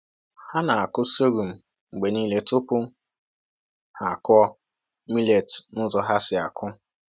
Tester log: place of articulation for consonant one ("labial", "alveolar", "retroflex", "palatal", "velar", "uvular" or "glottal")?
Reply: glottal